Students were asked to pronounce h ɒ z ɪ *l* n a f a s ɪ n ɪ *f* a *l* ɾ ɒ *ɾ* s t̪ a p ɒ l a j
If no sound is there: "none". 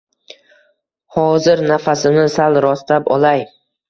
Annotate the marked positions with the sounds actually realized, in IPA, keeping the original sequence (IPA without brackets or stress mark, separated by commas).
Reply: ɾ, s, l, none